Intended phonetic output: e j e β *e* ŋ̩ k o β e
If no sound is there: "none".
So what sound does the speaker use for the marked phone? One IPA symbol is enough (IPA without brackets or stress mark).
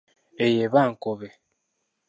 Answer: a